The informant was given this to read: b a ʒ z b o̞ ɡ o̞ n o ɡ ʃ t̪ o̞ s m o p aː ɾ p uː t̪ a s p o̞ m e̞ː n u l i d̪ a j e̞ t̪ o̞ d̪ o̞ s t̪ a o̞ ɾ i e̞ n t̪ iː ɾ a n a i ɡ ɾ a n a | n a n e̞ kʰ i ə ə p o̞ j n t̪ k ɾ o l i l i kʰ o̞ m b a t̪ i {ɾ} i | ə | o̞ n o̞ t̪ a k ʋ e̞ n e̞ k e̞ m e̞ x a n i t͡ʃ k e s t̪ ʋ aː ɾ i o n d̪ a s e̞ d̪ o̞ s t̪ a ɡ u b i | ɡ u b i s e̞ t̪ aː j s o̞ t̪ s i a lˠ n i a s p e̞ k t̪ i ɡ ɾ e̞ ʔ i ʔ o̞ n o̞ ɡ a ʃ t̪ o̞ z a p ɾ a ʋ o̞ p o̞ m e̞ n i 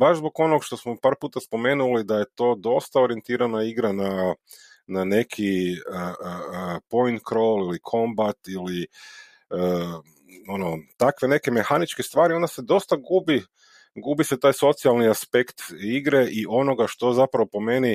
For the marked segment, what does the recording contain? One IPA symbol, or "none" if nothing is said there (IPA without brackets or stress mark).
l